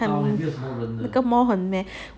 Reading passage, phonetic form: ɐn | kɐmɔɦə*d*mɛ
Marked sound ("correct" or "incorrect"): incorrect